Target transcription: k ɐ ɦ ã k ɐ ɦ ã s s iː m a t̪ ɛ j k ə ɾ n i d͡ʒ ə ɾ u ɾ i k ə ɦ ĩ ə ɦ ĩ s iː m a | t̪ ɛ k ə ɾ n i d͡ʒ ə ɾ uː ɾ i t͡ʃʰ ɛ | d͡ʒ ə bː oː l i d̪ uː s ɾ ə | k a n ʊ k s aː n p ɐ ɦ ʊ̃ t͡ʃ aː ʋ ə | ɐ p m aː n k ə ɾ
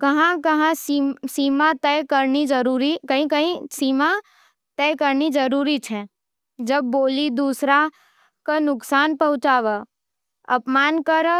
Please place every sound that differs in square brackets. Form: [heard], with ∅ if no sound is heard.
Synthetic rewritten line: k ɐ ɦ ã k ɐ ɦ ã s s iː m a t̪ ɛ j k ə ɾ n i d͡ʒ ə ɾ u ɾ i k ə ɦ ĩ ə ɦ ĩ s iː m a | t̪ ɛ k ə ɾ n i d͡ʒ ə ɾ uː ɾ i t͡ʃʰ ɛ | d͡ʒ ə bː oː l i d̪ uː s ɾ [a] | k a n ʊ k s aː n p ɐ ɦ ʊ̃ t͡ʃ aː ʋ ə | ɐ p m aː n k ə ɾ